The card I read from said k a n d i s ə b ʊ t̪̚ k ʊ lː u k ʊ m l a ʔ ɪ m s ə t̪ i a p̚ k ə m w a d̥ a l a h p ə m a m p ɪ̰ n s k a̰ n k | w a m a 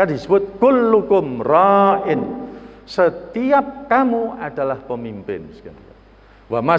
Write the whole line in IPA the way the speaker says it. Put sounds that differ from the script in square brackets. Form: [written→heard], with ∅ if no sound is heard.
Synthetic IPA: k a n d i s ə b ʊ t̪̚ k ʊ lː u k ʊ m [l→r] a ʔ ɪ [m→n] s ə t̪ i a p̚ k [ə→a] m [w→u] a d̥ a l a h p ə m [a→i] m p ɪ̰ n s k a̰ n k | w a m a